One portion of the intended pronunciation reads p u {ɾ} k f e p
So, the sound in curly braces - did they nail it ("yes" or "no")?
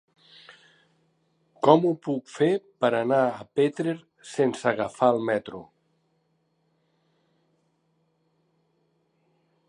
no